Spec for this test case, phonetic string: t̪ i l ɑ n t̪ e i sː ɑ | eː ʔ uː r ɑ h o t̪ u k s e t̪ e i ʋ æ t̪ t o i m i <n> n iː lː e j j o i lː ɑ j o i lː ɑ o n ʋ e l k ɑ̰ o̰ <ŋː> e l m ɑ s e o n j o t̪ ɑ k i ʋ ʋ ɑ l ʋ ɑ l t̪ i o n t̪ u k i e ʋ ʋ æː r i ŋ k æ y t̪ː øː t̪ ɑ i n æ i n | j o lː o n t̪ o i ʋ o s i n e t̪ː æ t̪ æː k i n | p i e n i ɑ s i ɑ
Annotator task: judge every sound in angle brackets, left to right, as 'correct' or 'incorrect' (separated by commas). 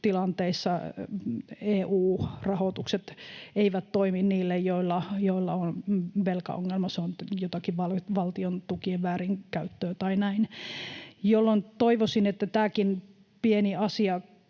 correct, correct